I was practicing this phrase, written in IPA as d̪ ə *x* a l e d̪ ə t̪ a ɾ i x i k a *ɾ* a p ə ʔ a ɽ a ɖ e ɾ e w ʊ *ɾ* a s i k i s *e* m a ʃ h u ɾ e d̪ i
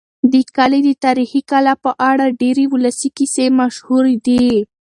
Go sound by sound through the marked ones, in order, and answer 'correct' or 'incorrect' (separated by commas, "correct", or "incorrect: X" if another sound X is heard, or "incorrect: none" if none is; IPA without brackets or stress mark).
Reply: incorrect: k, incorrect: l, incorrect: l, correct